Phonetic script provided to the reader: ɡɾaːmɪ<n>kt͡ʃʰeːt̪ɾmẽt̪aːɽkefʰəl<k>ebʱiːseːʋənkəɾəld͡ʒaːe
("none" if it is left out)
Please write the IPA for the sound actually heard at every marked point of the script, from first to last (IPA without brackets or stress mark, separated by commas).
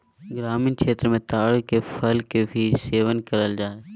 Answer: n, k